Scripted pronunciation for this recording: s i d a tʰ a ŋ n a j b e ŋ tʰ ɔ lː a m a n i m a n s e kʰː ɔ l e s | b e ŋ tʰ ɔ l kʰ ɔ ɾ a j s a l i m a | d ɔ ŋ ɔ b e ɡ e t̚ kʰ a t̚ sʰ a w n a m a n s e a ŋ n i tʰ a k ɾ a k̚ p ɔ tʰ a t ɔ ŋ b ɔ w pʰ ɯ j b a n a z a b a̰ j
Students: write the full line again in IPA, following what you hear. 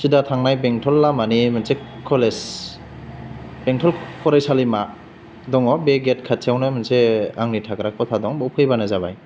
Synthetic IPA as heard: s i d a tʰ a ŋ n a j b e ŋ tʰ ɔ lː a m a n i m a n s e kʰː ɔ l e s | b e ŋ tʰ ɔ l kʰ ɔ ɾ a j s a l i m a | d ɔ ŋ ɔ b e ɡ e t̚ kʰ a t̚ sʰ a w n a m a n s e a ŋ n i tʰ a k ɾ a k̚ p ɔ tʰ a d ɔ ŋ b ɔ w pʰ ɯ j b a n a z a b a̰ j